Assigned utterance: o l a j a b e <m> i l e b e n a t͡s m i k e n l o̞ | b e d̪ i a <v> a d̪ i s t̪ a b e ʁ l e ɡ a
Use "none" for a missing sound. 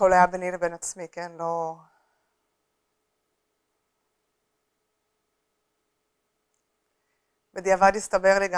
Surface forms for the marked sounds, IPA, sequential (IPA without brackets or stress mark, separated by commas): n, v